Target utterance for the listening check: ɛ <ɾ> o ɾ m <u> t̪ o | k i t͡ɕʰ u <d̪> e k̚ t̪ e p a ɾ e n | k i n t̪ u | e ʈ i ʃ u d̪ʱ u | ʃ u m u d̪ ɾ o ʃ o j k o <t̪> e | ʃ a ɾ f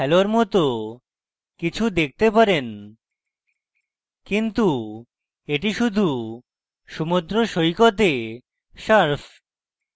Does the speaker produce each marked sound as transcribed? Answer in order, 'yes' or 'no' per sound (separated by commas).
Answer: no, no, yes, yes